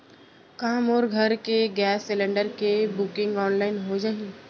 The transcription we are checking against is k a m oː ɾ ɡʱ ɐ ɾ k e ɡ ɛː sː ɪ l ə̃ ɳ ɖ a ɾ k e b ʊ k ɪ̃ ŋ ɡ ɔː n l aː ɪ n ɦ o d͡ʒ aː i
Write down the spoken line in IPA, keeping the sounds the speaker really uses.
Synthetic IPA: k a m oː ɾ ɡʱ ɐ ɾ k e ɡ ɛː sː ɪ l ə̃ ɳ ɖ ə ɾ k e b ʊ k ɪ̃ ŋ ɡ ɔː n l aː ɪ n ɦ o d͡ʒ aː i